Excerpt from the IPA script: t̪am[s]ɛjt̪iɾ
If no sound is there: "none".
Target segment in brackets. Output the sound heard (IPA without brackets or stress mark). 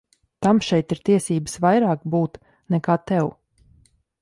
ʃ